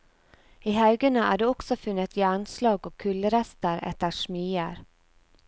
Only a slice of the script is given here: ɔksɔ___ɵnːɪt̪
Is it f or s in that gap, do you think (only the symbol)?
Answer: f